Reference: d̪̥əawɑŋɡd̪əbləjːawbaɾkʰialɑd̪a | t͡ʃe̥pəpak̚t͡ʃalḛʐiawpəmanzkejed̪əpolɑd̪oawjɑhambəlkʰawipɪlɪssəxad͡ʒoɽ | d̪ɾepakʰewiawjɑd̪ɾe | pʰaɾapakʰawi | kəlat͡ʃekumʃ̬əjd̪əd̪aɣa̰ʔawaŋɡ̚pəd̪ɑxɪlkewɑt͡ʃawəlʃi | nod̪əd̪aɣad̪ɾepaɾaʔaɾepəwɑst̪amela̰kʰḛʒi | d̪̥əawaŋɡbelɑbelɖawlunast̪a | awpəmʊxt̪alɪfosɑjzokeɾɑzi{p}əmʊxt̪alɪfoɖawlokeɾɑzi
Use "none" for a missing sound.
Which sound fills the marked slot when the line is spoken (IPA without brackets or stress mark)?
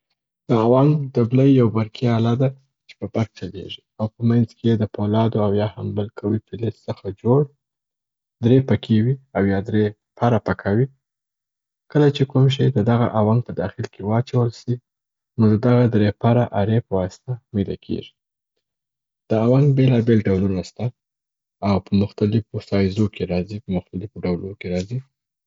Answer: p